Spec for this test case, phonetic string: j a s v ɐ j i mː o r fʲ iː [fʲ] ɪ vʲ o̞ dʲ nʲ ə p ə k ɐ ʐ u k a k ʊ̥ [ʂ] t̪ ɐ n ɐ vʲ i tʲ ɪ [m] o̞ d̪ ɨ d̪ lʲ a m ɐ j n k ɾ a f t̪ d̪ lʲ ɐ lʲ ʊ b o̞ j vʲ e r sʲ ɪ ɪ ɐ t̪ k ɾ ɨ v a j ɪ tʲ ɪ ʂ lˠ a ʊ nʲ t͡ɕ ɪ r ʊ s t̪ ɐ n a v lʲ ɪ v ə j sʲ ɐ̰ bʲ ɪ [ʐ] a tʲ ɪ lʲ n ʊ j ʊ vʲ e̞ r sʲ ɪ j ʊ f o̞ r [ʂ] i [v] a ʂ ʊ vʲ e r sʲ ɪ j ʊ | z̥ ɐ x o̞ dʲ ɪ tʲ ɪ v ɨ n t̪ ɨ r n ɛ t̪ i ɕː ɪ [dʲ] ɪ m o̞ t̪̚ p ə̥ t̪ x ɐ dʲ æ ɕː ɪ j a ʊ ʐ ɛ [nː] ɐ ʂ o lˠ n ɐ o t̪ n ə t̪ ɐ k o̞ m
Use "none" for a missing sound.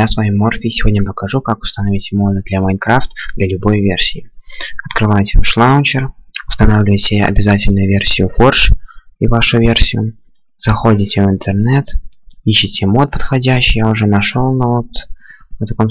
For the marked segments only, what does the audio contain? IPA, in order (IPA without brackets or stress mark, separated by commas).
sʲ, s, m, z, ʂ, v, tʲ, n